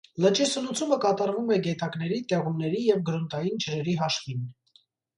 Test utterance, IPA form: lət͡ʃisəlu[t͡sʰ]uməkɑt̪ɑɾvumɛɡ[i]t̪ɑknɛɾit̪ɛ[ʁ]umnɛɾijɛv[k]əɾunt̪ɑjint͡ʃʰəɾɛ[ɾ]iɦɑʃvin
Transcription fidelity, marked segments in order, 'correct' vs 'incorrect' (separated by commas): correct, incorrect, correct, incorrect, correct